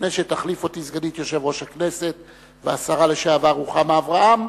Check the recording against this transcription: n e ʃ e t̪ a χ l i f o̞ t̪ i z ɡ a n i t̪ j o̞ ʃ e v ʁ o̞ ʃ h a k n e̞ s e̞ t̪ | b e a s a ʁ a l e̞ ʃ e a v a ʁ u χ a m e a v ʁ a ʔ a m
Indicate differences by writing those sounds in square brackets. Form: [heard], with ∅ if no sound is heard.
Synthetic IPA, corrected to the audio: n e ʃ e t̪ a χ l i f o̞ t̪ i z ɡ a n i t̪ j o̞ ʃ e v ʁ o̞ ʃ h a k n e̞ s e̞ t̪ | [v] e a s a ʁ a l e̞ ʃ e a v a ʁ u χ a m e a v ʁ a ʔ a m